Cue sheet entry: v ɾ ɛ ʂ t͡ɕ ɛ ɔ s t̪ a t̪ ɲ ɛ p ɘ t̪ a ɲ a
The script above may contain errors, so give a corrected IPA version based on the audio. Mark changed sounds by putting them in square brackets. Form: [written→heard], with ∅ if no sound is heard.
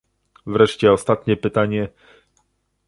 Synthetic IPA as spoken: v ɾ ɛ ʂ t͡ɕ ɛ ɔ s t̪ a t̪ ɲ ɛ p ɘ t̪ a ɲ [a→ɛ]